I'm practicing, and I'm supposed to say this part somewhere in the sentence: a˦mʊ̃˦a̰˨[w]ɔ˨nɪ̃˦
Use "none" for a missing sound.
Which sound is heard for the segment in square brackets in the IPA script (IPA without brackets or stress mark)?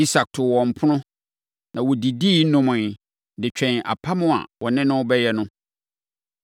w